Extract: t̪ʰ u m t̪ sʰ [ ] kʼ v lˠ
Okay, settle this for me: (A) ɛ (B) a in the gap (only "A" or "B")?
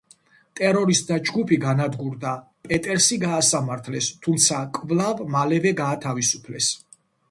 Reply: B